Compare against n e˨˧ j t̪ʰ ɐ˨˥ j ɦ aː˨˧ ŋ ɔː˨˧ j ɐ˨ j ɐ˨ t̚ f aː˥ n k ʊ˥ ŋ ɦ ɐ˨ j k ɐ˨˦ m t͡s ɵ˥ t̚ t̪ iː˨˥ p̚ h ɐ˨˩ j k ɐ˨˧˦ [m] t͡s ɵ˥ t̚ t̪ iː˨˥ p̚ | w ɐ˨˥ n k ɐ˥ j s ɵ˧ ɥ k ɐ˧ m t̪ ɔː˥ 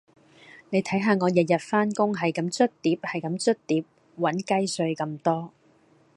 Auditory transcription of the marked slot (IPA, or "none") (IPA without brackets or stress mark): m